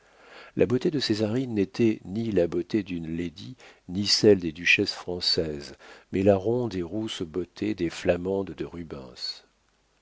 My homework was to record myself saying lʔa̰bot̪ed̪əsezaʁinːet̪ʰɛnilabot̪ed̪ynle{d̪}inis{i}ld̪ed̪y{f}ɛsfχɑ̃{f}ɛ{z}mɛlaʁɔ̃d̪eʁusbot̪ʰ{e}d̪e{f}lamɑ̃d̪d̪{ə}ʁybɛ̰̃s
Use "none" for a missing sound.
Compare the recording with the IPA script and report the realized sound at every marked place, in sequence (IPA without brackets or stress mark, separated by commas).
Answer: d̪, ɛ, ʃ, s, z, e, f, ə